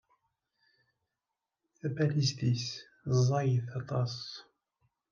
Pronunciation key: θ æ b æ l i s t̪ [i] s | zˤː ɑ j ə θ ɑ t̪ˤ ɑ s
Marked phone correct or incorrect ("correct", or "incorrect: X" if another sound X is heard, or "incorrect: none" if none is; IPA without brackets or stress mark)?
correct